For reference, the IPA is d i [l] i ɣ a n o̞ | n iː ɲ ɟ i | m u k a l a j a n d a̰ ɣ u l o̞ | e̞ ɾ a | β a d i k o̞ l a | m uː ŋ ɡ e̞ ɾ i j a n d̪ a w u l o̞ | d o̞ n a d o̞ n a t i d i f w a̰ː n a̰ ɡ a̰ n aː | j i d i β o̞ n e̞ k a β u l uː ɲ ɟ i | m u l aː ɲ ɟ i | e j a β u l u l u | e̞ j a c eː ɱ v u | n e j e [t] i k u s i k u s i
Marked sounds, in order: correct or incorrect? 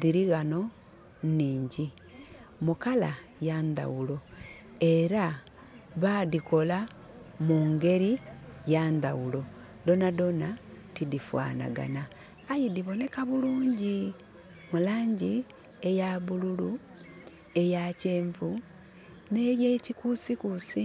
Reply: incorrect: ɾ, incorrect: c

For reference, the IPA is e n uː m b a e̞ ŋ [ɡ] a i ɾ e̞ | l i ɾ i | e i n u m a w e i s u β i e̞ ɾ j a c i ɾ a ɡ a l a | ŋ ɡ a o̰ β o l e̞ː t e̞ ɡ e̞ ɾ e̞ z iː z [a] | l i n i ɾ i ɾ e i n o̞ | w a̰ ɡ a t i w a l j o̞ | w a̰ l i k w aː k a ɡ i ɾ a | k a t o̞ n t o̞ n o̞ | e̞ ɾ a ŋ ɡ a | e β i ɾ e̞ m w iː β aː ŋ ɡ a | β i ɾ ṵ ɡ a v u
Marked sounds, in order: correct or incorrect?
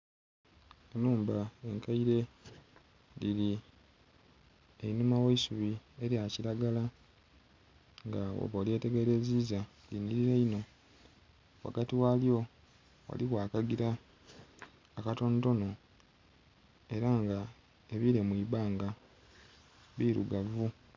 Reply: incorrect: k, correct

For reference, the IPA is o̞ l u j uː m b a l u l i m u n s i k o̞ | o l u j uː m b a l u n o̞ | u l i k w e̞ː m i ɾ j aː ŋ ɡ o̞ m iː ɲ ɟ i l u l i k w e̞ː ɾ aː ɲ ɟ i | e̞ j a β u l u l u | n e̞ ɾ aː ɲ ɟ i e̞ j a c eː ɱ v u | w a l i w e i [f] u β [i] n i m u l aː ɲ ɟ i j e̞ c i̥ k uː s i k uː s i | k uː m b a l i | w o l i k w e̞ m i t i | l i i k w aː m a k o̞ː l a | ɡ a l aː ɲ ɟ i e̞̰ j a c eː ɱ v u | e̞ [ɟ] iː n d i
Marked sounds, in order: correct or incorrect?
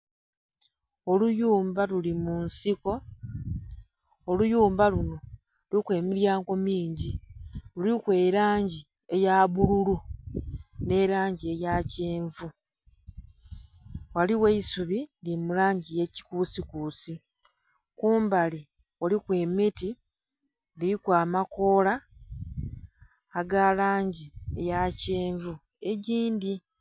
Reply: incorrect: s, correct, correct

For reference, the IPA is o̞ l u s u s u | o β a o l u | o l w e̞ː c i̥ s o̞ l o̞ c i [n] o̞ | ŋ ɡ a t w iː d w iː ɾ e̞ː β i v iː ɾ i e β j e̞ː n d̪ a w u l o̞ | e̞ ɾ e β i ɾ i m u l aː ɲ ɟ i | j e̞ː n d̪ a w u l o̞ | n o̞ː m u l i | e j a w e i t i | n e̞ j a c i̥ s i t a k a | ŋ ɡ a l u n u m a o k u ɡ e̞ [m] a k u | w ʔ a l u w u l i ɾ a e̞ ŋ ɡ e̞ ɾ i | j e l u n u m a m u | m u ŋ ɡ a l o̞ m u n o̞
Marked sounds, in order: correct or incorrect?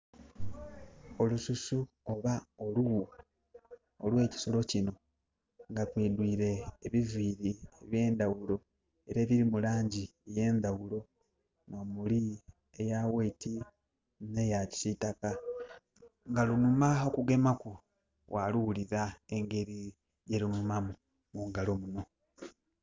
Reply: correct, correct

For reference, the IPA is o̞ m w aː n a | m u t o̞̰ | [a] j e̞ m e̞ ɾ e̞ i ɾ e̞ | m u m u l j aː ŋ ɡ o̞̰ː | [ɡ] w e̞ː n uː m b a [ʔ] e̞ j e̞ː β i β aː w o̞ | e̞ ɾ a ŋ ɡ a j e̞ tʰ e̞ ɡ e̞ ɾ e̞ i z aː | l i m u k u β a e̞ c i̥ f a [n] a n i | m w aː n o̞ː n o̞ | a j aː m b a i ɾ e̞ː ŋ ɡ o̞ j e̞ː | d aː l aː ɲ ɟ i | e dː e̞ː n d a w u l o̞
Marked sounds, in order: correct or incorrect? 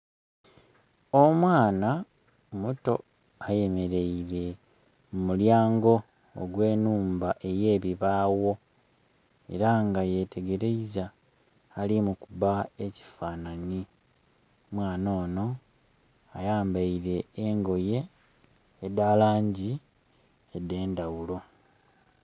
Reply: correct, correct, correct, correct

